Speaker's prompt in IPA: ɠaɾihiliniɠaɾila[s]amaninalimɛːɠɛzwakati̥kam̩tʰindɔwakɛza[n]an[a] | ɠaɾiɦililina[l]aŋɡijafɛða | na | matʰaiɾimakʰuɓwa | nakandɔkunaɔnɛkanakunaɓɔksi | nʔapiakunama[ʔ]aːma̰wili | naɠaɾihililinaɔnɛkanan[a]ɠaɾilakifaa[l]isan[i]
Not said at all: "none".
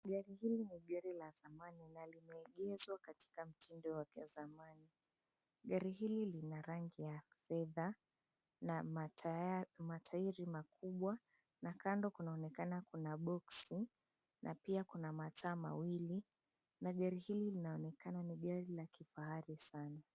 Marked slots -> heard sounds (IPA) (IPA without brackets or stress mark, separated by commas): z, m, i, ɾ, t, i, ɾ, a